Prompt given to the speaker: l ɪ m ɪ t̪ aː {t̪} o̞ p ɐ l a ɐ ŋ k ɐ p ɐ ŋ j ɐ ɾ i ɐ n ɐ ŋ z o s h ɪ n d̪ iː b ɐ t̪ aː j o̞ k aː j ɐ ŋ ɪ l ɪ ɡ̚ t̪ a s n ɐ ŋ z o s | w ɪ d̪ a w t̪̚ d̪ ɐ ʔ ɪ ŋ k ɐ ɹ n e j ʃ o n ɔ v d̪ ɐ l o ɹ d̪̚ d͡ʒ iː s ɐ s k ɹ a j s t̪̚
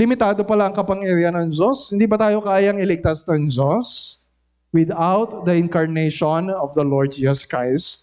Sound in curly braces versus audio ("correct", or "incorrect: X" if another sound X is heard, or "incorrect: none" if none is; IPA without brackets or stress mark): incorrect: d̪